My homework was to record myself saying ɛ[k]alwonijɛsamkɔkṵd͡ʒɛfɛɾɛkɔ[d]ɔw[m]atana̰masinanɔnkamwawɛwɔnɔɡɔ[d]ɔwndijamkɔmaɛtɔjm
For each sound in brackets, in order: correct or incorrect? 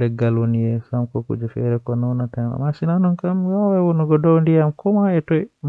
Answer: incorrect: ɡ, incorrect: n, incorrect: n, correct

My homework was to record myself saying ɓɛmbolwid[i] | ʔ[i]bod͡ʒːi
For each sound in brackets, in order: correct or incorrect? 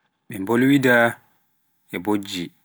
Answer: incorrect: a, incorrect: ɛ

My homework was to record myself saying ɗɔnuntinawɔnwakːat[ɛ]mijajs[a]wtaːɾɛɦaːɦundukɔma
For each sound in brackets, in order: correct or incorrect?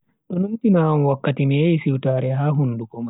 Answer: incorrect: i, incorrect: i

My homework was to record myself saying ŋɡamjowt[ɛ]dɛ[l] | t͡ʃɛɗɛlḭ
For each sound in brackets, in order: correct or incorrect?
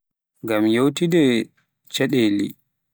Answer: incorrect: i, incorrect: none

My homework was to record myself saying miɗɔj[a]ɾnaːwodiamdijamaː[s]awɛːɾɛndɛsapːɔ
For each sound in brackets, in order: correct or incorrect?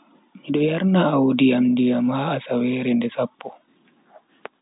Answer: correct, correct

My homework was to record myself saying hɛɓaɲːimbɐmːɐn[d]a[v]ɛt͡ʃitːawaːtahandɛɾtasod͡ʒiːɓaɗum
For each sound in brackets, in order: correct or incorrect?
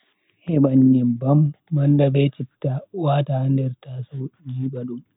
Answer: correct, incorrect: b

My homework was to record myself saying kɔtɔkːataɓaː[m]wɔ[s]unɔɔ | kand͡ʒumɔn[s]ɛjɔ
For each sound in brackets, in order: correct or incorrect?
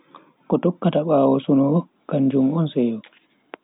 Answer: incorrect: none, correct, correct

